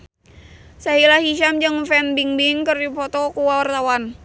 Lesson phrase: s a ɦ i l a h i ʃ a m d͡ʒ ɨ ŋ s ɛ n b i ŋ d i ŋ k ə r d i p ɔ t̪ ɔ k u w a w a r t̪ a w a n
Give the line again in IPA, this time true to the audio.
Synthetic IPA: s a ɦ i l a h i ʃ a m d͡ʒ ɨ ŋ f ɛ n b i ŋ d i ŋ k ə r d i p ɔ t̪ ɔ k u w a w a r t̪ a w a n